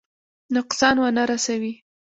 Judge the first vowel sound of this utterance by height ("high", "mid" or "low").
high